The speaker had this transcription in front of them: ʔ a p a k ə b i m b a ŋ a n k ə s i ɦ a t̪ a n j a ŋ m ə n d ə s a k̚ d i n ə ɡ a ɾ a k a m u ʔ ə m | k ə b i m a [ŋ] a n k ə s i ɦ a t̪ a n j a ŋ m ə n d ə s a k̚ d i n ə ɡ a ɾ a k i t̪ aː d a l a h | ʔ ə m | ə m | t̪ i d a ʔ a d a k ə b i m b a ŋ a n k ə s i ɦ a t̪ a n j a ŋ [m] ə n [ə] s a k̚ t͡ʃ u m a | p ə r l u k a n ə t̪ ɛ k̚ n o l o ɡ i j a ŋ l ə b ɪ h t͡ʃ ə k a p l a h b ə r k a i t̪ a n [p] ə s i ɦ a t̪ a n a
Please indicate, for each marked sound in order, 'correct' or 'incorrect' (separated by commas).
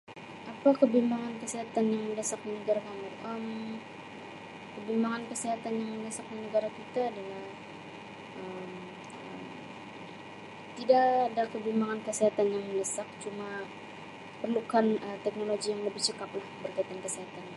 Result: correct, correct, correct, incorrect